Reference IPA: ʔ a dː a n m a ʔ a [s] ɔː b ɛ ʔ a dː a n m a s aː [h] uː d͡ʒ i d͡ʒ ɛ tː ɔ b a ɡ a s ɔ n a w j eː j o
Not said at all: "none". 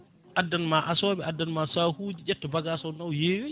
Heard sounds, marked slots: s, h

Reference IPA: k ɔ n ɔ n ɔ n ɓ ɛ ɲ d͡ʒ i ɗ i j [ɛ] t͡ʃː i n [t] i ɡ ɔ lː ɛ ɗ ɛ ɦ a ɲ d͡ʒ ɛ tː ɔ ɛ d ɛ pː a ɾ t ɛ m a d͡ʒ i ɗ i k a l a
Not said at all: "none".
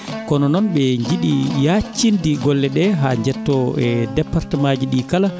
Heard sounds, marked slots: a, d

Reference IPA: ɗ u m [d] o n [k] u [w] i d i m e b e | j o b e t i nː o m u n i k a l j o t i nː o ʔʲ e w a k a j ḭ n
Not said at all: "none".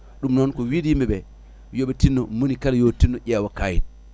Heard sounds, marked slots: n, k, w

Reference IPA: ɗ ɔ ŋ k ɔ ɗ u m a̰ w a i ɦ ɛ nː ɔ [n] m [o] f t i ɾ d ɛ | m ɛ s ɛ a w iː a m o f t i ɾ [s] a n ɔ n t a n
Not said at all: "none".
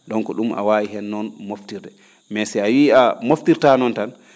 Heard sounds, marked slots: n, o, t

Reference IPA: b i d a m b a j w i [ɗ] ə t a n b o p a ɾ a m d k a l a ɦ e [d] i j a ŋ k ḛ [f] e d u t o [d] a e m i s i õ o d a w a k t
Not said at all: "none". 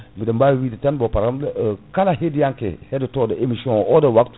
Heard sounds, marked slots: d, d, h, d

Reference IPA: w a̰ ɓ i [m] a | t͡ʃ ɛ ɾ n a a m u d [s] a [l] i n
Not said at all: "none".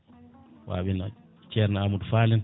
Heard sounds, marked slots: n, f, l

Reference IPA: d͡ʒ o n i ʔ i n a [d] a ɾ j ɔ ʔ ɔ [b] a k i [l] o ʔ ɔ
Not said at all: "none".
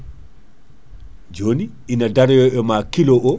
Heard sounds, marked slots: d, m, l

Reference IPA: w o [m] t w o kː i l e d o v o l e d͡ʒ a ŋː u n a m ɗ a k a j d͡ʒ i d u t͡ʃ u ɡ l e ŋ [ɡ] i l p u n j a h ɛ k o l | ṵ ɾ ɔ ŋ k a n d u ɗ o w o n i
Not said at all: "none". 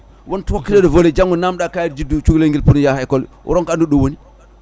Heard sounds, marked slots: n, ɡ

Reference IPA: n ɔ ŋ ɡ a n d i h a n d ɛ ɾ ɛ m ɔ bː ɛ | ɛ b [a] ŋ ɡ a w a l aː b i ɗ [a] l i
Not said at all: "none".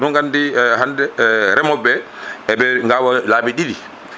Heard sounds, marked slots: ɛ, i

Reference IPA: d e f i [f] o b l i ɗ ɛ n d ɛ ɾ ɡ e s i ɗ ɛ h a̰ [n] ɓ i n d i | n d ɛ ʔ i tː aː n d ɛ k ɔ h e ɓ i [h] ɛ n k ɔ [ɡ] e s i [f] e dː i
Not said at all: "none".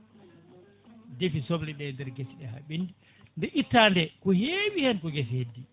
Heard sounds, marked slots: s, none, h, ɡ, h

